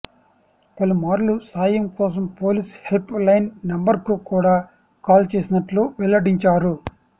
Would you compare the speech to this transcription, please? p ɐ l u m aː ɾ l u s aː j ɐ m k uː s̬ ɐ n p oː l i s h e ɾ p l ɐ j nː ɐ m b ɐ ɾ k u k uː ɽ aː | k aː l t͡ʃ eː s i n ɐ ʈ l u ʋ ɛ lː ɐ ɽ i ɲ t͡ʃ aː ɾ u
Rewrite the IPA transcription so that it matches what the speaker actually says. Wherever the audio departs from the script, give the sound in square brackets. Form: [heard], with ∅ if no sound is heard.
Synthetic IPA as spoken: p ɐ l u m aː ɾ l u s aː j ɐ m k [ɔː] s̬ ɐ [m] p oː l i s h e [l] p l ɐ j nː ɐ m b ɐ ɾ k u k uː ɽ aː | k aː l t͡ʃ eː s i n ɐ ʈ l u ʋ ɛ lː ɐ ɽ i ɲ t͡ʃ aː ɾ u